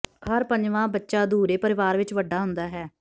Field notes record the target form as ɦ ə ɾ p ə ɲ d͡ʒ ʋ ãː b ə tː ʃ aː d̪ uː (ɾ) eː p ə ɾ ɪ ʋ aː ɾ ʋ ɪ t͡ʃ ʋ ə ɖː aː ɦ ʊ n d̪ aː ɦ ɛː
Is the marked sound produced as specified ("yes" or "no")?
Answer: yes